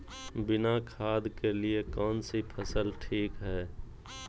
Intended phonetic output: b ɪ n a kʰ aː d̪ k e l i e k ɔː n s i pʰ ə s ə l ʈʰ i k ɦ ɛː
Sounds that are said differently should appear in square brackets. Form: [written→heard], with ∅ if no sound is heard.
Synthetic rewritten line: b ɪ n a kʰ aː d̪ k e l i e k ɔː n s i pʰ ə s ə l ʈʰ [i→iː] k ɦ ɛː